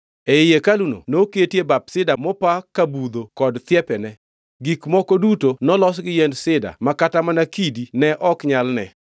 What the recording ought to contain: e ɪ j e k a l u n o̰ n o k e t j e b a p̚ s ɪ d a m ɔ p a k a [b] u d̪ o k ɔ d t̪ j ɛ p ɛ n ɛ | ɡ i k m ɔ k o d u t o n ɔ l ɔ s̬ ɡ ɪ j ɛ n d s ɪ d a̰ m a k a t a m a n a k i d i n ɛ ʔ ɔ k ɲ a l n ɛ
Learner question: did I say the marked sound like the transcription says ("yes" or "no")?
yes